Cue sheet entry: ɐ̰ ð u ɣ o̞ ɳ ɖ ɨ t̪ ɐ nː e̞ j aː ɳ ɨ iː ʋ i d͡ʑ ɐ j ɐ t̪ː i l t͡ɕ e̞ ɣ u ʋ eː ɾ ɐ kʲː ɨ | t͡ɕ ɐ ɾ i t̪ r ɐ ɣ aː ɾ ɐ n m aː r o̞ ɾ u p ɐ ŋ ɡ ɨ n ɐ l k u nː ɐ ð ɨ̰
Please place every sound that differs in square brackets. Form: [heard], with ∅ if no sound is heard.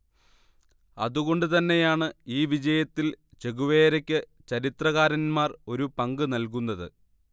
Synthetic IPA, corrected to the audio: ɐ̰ ð u ɣ o̞ ɳ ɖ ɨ t̪ ɐ nː e̞ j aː ɳ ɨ iː ʋ i d͡ʑ ɐ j ɐ t̪ː i l t͡ɕ e̞ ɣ u ʋ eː ɾ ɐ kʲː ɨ | t͡ɕ ɐ ɾ i t̪ r ɐ ɣ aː ɾ ɐ n m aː r o̞ ɾ u p ɐ ŋ ɡ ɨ n ɐ l k u nː ɐ ð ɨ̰

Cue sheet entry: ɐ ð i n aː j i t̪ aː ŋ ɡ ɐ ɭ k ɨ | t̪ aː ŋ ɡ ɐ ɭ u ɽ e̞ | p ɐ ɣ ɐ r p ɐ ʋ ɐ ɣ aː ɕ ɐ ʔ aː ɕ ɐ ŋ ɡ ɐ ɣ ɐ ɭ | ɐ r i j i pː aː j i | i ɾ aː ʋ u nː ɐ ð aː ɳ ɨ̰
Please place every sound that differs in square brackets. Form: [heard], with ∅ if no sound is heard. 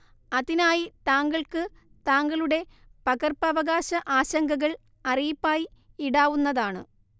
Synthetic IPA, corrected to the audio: ɐ ð i n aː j i t̪ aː ŋ ɡ ɐ ɭ k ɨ | t̪ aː ŋ ɡ ɐ ɭ u ɽ e̞ | p ɐ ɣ ɐ r p ɐ ʋ ɐ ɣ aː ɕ ɐ ʔ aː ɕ ɐ ŋ ɡ ɐ ɣ ɐ ɭ | ɐ r i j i pː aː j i | i [ɽ] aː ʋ u nː ɐ ð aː ɳ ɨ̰

